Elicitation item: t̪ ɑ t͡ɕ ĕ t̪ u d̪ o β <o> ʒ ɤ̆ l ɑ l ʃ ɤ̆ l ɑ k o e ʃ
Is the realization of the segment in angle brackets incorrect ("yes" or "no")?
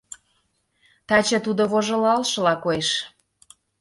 no